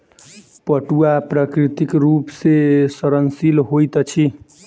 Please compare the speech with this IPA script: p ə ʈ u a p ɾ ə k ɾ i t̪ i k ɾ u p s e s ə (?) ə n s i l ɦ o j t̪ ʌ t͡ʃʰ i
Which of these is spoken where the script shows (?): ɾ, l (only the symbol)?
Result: ɾ